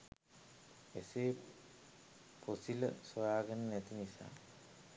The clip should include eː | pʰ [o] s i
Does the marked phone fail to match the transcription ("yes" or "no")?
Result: no